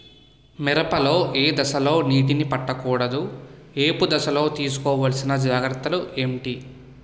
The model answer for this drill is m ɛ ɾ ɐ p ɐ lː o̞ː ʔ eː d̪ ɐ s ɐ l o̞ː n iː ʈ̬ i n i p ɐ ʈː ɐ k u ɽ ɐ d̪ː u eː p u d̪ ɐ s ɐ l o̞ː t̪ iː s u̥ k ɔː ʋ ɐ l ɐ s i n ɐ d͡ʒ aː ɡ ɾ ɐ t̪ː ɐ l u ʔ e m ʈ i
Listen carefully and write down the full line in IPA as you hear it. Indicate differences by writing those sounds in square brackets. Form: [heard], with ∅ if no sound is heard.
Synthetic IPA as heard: m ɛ ɾ ɐ p ɐ [l] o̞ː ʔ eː d̪ ɐ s ɐ l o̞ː n iː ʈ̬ i n i p ɐ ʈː ɐ k [uː] ɽ ɐ [d̪] u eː p u d̪ ɐ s ɐ l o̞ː t̪ iː s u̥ k ɔː ʋ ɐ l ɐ s i n ɐ d͡ʒ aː ɡ ɾ ɐ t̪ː ɐ l u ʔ e m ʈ i